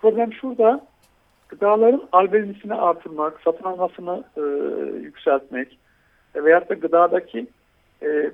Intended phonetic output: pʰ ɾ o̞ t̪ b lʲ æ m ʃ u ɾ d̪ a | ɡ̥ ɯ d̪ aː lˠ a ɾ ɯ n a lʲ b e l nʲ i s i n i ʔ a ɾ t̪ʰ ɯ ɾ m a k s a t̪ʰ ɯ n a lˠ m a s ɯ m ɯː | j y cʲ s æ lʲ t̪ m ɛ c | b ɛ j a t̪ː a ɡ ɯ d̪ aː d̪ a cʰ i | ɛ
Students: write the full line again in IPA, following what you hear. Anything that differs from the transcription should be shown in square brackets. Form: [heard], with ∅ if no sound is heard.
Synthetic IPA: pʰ ɾ o̞ [∅] b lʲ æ m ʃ u ɾ d̪ a | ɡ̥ ɯ d̪ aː lˠ a ɾ ɯ n a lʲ b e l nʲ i s i n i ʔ a ɾ t̪ʰ ɯ ɾ m a k s a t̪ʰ ɯ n a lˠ m a s ɯ [n] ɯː | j y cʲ s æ lʲ t̪ m ɛ c | [v] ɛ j a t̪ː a ɡ ɯ d̪ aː d̪ a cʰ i | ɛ